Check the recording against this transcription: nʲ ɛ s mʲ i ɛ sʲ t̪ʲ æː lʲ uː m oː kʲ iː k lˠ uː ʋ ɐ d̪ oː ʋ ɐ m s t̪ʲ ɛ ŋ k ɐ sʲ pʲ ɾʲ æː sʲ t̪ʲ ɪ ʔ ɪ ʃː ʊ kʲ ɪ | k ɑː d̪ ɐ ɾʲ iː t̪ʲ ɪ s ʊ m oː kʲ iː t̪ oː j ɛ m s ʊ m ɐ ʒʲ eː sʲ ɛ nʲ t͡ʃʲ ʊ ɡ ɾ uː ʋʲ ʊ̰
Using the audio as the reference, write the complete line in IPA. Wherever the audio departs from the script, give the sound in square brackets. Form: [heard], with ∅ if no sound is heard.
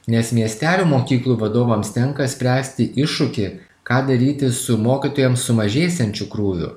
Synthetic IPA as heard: nʲ ɛ s mʲ i ɛ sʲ t̪ʲ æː lʲ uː m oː kʲ iː k lˠ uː ʋ ɐ d̪ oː ʋ ɐ m s t̪ʲ ɛ ŋ k ɐ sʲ pʲ ɾʲ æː sʲ t̪ʲ ɪ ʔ ɪ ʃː ʊ kʲ ɪ | k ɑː d̪ ɐ ɾʲ iː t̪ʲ ɪ s ʊ m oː kʲ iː t̪ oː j ɛ m s ʊ m ɐ ʒʲ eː sʲ ɛ nʲ t͡ʃʲ ʊ [k] ɾ uː ʋʲ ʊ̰

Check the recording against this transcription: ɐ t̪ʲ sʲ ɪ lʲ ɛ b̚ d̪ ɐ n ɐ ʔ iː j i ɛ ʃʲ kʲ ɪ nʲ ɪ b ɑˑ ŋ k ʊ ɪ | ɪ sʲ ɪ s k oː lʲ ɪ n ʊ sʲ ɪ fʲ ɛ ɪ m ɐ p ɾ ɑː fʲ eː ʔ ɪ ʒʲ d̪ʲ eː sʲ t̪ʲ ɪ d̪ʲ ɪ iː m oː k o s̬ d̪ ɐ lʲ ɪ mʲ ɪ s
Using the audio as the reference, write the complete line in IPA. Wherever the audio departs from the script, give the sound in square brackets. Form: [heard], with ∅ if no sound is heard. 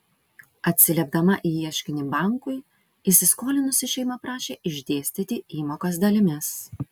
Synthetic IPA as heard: ɐ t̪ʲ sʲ ɪ lʲ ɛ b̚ d̪ ɐ [m] ɐ ʔ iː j i ɛ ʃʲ kʲ ɪ nʲ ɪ b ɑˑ ŋ k ʊ ɪ | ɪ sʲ ɪ s k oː lʲ ɪ n ʊ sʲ ɪ [ʃʲ] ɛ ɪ m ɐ p ɾ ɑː [ʃʲ] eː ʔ ɪ ʒʲ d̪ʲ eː sʲ t̪ʲ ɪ [t̪ʲ] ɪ iː m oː k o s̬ d̪ ɐ lʲ ɪ mʲ ɪ s

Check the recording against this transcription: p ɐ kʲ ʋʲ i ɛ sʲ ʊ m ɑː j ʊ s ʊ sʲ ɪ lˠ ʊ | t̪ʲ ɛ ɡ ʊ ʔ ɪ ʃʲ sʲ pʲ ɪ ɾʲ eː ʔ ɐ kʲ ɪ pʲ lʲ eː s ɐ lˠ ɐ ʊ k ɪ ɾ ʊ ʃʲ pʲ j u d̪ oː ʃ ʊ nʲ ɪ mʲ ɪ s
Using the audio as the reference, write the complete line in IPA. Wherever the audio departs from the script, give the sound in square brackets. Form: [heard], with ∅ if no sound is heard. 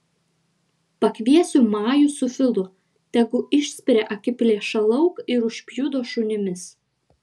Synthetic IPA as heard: p ɐ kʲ ʋʲ i ɛ sʲ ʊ m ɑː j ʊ s ʊ [fʲ] ɪ lˠ ʊ | t̪ʲ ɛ ɡ ʊ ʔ ɪ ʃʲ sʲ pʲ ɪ ɾʲ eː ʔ ɐ kʲ ɪ pʲ lʲ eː [ʃ] ɐ lˠ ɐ ʊ k ɪ ɾ ʊ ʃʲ pʲ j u d̪ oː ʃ ʊ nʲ ɪ mʲ ɪ s

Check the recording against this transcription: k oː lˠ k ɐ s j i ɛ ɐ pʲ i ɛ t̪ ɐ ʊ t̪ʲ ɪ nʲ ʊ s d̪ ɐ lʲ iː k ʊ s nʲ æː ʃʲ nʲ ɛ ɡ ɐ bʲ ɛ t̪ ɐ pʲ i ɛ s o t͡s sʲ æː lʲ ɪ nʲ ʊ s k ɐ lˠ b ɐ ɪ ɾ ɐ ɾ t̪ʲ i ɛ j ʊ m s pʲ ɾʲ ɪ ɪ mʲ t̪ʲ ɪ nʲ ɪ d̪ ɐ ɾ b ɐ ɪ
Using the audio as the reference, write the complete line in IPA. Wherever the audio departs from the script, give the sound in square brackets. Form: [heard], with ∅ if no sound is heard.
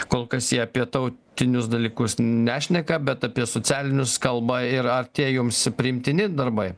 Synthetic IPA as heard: k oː lˠ k ɐ s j i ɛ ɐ pʲ i ɛ t̪ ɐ ʊ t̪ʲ ɪ nʲ ʊ s d̪ ɐ lʲ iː k ʊ s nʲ æː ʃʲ nʲ ɛ [k] ɐ bʲ ɛ t̪ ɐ pʲ i ɛ s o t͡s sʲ æː lʲ ɪ nʲ ʊ s k ɐ lˠ b ɐ ɪ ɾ ɐ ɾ t̪ʲ i ɛ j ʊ m s pʲ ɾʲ ɪ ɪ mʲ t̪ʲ ɪ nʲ ɪ d̪ ɐ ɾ b ɐ ɪ

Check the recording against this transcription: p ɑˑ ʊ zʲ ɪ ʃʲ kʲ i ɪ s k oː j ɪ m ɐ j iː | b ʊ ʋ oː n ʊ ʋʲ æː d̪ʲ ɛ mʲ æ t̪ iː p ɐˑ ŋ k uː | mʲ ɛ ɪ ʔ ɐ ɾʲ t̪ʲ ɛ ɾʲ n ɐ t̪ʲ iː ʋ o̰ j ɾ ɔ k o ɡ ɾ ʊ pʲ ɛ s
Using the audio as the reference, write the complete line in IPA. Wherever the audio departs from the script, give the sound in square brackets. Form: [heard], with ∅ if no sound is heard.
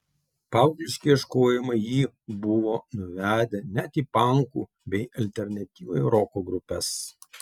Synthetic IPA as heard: p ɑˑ ʊ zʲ ɪ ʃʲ kʲ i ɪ [ʃ] k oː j ɪ m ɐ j iː | b ʊ ʋ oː n ʊ ʋʲ æː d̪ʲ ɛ [nʲ] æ t̪ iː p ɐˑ ŋ k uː | [bʲ] ɛ ɪ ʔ ɐ [lʲ] t̪ʲ ɛ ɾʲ n ɐ t̪ʲ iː ʋ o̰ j ɾ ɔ k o ɡ ɾ ʊ pʲ ɛ s

